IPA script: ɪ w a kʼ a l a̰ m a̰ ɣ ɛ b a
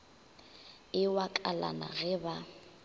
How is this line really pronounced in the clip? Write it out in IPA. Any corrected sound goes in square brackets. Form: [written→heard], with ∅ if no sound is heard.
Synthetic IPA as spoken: ɪ w a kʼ a l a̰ [m→n] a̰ ɣ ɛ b a